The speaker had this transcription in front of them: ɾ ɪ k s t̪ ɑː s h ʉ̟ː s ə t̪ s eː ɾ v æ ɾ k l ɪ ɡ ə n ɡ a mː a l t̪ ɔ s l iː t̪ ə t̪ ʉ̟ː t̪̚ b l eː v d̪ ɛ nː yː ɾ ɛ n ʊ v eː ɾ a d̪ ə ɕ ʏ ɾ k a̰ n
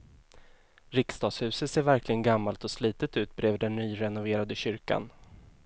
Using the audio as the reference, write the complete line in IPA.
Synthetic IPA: ɾ ɪ k s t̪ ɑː s h ʉ̟ː s ə t̪ s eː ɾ v æ ɾ k l ɪ ɡ ə n ɡ a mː a l t̪ ɔ s l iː t̪ ə t̪ ʉ̟ː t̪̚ b ɾ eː v d̪ ɛ nː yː ɾ ɛ n ʊ v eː ɾ a d̪ ə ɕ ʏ ɾ k a̰ n